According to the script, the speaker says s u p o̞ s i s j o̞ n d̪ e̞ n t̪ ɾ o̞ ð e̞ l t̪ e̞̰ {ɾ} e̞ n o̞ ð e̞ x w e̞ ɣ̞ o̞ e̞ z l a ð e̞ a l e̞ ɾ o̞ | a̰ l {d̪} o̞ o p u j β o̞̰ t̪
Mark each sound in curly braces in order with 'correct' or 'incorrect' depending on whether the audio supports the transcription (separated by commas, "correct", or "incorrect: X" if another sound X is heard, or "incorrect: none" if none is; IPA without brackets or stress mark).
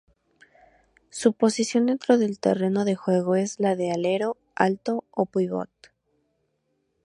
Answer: incorrect: r, incorrect: t̪